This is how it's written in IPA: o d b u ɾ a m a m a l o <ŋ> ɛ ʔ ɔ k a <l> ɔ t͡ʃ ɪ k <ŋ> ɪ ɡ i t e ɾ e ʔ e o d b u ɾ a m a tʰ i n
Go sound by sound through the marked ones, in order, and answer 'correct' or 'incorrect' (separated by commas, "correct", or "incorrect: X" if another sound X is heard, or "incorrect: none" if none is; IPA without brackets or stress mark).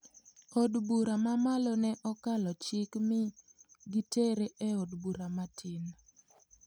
incorrect: n, correct, incorrect: m